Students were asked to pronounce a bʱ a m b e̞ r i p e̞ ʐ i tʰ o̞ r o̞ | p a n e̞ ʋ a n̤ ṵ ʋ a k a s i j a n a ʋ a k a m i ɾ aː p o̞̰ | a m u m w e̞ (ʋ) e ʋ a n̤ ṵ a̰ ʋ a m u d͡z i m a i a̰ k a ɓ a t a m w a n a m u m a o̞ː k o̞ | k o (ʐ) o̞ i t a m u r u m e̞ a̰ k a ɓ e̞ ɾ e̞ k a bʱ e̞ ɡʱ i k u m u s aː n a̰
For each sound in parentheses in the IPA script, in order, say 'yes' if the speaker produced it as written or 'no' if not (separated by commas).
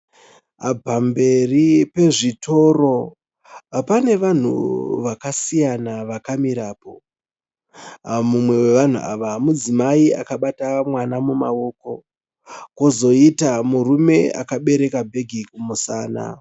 no, no